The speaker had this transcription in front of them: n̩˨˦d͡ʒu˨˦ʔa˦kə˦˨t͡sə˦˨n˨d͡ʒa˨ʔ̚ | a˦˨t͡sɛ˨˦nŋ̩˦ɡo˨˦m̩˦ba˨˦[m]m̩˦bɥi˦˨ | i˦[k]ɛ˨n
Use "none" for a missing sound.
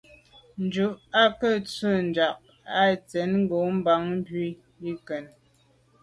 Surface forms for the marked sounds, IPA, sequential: ŋ, k

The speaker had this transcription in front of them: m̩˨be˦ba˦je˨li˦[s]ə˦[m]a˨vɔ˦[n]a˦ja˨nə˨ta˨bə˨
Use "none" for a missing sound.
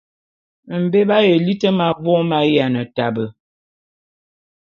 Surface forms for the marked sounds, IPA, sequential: t, m, m

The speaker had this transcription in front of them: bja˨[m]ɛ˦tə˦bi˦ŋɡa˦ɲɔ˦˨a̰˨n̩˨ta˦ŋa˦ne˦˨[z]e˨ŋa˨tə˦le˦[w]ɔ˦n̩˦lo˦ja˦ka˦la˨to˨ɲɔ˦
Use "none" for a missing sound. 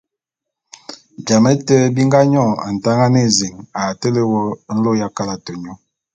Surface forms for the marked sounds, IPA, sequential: m, z, w

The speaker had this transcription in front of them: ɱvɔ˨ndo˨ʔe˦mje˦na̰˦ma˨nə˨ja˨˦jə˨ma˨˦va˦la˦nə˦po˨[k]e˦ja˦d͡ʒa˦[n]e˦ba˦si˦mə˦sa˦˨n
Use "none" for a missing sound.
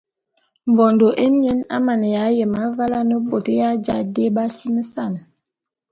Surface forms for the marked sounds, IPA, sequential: t, d

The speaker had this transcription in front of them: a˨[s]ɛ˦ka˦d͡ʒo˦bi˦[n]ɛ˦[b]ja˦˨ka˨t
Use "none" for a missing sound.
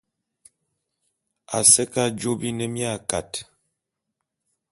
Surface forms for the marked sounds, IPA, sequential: s, n, m

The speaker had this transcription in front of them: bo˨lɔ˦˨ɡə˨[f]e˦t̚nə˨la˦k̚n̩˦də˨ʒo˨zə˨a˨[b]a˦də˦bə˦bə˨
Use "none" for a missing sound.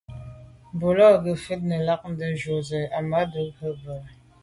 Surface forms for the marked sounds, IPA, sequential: f, m

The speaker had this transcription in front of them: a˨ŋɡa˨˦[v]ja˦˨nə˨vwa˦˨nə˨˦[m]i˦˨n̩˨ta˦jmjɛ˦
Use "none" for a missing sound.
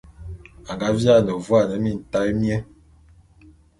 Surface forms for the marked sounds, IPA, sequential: v, m

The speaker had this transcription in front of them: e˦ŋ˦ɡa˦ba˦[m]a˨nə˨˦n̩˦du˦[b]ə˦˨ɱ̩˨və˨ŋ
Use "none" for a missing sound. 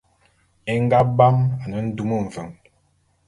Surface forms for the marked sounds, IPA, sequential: m, m

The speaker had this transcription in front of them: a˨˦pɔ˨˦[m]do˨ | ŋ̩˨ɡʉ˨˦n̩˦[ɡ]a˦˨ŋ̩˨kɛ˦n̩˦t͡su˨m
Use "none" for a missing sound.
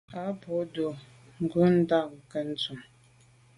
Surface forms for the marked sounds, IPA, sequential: none, d

